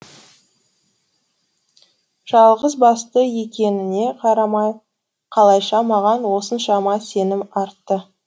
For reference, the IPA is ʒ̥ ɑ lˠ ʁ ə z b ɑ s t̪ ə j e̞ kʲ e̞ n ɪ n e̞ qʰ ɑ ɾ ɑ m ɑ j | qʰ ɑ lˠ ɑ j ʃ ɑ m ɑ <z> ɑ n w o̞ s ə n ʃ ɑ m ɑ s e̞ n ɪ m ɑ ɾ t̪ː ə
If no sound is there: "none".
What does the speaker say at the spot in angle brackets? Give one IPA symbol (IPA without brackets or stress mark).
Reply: ʁ